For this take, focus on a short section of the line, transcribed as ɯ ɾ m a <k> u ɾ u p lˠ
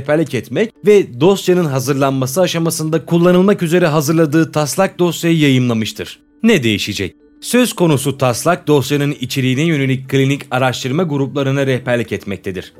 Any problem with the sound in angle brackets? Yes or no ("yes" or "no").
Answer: yes